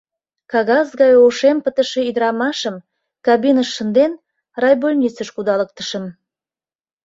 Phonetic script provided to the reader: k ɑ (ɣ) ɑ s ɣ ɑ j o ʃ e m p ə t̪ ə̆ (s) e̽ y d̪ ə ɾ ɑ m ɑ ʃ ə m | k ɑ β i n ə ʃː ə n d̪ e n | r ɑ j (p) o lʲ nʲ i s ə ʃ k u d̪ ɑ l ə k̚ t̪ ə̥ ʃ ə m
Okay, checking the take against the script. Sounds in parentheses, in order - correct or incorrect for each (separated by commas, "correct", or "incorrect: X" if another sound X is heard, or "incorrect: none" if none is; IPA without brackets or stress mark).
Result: correct, incorrect: ʃ, incorrect: b